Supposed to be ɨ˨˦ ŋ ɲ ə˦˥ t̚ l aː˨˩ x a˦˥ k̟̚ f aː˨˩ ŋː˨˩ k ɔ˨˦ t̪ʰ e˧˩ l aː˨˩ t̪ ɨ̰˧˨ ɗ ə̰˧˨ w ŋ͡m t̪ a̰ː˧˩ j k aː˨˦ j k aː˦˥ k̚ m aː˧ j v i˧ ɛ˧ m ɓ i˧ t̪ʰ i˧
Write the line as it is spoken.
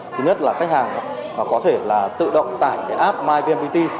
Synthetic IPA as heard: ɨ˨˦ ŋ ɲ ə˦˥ t̚ l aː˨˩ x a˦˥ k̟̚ h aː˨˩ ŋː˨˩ k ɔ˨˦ t̪ʰ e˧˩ l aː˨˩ t̪ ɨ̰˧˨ ɗ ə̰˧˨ w ŋ͡m t̪ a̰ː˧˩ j k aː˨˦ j ʔ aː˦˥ p̚ m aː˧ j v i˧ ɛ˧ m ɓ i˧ t̪ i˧